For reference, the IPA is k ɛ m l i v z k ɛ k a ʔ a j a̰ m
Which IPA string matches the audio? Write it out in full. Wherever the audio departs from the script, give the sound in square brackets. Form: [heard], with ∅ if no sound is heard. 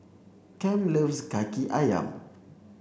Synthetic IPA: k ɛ m l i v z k [a] k [i] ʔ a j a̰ m